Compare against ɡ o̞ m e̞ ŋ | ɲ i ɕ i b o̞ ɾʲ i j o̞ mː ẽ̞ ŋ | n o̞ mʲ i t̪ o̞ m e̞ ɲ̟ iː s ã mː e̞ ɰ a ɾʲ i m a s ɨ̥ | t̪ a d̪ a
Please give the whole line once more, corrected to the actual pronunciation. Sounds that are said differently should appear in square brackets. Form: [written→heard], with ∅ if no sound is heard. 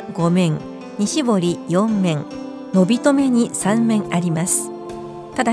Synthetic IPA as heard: ɡ o̞ m [e̞→ẽ̞] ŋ | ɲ i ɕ i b o̞ ɾʲ i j [o̞→õ̞] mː ẽ̞ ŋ | n o̞ [mʲ→bʲ] i t̪ o̞ m e̞ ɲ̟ [iː→i] s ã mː [e̞→ẽ̞] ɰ a ɾʲ i m a s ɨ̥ | t̪ a d̪ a